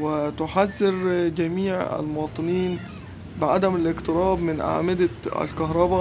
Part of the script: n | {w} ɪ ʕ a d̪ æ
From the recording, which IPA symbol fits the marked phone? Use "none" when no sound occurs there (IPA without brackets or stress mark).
b